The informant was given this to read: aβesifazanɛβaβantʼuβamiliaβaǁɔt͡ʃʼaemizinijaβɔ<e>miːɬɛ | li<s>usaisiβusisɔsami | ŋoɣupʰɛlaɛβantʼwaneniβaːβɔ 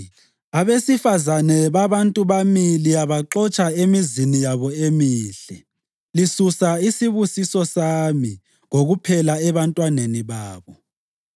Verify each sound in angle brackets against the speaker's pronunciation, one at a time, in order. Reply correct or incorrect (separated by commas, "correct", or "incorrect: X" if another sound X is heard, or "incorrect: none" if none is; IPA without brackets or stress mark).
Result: correct, correct